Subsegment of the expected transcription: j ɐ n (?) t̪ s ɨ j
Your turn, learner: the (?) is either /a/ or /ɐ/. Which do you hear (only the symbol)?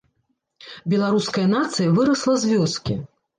a